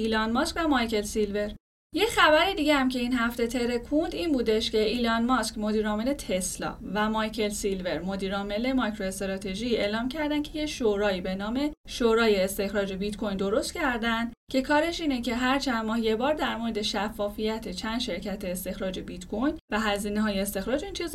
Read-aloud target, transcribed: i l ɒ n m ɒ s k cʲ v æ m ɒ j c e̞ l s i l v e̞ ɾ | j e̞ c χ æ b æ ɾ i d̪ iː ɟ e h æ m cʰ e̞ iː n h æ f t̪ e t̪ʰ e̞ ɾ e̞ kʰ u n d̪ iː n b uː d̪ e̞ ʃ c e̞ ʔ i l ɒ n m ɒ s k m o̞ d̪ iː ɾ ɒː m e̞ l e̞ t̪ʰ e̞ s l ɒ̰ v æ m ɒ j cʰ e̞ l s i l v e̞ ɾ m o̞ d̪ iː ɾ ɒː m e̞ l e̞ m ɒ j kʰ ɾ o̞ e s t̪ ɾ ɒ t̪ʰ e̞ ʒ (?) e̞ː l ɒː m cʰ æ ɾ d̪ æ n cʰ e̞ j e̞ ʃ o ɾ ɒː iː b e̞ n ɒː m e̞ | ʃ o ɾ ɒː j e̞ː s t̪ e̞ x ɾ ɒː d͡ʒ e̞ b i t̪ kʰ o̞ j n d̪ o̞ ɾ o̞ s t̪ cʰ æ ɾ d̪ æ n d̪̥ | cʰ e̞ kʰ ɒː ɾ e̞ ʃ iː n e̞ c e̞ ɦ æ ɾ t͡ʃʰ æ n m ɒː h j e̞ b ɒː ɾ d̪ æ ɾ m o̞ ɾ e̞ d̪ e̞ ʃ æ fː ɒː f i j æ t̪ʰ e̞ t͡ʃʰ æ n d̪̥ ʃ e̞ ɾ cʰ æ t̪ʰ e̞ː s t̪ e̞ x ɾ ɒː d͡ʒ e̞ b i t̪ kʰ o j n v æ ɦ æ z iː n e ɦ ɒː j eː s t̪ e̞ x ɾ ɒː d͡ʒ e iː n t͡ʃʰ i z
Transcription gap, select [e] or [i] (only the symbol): i